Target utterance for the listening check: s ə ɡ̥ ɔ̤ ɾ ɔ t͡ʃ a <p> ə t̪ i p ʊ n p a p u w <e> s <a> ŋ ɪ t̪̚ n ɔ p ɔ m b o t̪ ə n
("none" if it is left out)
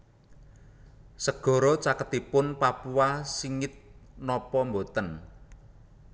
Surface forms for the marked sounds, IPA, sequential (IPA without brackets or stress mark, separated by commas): k, a, i